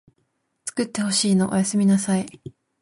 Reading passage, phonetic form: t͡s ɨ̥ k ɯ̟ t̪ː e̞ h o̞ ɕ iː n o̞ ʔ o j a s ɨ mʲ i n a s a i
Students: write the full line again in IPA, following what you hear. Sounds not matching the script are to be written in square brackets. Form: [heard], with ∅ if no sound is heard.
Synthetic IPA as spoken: t͡s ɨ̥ k ɯ̟ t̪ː e̞ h o̞ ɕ iː n o̞ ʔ o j a s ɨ mʲ i n a s a i